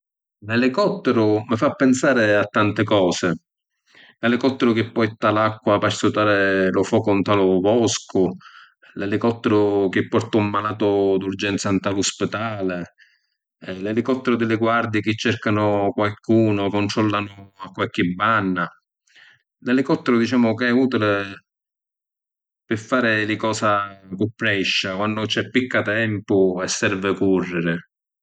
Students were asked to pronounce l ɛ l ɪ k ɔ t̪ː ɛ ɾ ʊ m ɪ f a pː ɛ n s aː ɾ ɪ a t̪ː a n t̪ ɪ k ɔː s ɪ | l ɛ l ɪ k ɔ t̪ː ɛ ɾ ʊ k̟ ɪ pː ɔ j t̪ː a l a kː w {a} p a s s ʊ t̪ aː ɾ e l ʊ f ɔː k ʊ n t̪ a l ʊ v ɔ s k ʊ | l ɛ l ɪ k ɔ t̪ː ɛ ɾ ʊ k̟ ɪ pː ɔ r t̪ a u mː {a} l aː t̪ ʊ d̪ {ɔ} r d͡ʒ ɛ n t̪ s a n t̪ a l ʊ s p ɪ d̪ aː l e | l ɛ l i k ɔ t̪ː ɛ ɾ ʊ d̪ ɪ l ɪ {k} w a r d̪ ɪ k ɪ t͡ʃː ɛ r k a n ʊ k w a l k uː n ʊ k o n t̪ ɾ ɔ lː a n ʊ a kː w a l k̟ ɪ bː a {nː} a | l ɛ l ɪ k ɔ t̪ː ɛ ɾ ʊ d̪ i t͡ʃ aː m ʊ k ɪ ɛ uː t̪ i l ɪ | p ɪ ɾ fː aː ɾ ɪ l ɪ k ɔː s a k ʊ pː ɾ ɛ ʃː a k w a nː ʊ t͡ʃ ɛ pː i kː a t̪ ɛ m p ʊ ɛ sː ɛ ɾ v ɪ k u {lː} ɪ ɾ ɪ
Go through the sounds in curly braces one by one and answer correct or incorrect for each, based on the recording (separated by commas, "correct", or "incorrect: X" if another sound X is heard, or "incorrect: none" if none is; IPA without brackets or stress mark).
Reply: correct, correct, incorrect: u, incorrect: ɡ, correct, incorrect: rː